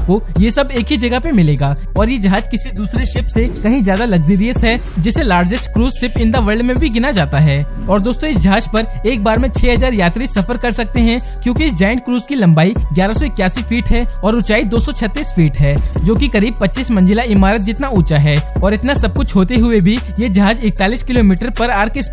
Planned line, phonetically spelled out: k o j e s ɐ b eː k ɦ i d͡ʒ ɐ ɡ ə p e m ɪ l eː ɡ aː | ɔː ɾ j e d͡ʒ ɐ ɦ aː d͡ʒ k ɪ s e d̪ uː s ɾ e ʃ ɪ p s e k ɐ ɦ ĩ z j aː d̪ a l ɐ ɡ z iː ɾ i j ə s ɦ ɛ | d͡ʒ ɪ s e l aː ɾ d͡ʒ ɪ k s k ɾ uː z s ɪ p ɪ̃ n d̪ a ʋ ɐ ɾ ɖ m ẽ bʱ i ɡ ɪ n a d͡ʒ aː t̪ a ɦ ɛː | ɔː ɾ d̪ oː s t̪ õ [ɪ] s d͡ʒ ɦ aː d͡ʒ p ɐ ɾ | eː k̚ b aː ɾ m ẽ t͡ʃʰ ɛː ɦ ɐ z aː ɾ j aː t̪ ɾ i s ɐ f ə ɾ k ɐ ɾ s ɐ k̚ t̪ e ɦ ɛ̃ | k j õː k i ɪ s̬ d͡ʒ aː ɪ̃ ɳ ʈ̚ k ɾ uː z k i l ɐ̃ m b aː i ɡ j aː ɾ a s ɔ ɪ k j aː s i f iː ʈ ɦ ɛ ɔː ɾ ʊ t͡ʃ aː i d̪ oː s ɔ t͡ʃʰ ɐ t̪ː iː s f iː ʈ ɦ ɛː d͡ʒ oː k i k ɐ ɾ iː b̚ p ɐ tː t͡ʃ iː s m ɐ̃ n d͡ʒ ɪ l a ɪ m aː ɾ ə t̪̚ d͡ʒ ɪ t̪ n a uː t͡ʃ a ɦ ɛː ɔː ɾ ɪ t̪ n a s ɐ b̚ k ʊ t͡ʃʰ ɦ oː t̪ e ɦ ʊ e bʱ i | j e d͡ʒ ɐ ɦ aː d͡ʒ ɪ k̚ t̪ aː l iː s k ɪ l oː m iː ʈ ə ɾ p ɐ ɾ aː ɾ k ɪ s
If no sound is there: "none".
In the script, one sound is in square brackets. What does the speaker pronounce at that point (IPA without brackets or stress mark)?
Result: ɪ